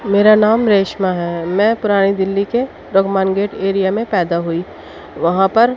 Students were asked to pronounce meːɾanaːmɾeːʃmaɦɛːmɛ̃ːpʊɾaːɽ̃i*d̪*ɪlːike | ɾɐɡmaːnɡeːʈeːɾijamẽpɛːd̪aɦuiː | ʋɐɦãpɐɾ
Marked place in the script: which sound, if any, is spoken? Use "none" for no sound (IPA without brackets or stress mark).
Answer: d̪